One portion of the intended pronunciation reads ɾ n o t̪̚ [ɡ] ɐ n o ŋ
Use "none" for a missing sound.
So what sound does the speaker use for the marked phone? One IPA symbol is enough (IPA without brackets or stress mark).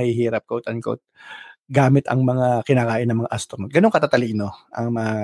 ɡ